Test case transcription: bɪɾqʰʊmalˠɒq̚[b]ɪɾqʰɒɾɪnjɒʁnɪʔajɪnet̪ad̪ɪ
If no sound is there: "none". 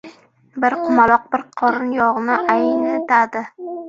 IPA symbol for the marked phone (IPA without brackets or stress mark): b